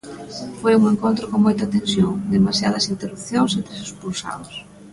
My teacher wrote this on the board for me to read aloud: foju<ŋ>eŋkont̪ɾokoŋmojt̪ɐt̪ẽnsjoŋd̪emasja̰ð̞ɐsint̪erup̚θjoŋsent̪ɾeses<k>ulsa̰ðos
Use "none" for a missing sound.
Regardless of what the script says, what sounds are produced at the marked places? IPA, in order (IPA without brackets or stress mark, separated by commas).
ŋ, p